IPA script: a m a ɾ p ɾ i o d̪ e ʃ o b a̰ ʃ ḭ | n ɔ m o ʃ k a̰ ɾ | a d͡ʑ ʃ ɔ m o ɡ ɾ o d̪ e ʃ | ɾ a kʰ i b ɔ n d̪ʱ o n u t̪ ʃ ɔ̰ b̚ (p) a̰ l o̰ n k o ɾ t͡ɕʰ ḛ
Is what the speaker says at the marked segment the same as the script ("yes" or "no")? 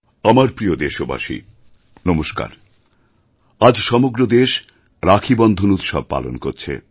yes